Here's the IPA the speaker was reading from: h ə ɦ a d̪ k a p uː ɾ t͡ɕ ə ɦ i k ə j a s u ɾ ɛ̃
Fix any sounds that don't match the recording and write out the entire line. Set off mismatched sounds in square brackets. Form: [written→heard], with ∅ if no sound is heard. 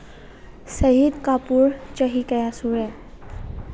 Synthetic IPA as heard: [h→s] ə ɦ [a→i] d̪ k a p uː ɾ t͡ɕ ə ɦ i k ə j a s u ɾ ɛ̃

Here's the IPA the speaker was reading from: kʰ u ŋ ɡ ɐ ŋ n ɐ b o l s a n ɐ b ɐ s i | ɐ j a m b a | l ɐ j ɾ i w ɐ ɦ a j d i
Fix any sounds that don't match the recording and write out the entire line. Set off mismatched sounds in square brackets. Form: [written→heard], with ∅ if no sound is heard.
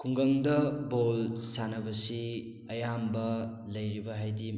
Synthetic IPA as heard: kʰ u ŋ ɡ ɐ ŋ [n→d] ɐ b o l s a n ɐ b ɐ s i | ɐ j a m b [a→ɐ] | l ɐ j ɾ i [w→b] ɐ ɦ a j d i

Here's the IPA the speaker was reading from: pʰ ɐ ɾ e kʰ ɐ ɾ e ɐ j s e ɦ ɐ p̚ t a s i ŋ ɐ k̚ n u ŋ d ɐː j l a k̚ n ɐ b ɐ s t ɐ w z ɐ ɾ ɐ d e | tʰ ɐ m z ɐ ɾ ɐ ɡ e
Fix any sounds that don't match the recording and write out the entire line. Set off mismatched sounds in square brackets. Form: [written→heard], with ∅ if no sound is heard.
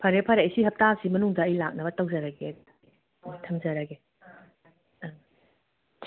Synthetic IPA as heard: pʰ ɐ ɾ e [kʰ→pʰ] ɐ ɾ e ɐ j s [e→i] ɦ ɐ p̚ t a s i [ŋ→m] ɐ [k̚→∅] n u ŋ d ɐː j l a k̚ n ɐ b ɐ [s→∅] t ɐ w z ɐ ɾ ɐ [d→ɡ] e | tʰ ɐ m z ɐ ɾ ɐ ɡ e

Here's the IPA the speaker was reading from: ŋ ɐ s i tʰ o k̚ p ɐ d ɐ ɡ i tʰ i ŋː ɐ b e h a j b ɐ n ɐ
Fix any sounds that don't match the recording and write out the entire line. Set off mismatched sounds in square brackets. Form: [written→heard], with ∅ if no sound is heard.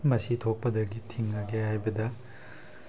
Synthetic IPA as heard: [ŋ→m] ɐ s i tʰ o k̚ p ɐ d ɐ ɡ i tʰ i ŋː ɐ [b→ɡ] e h a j b ɐ [n→d] ɐ

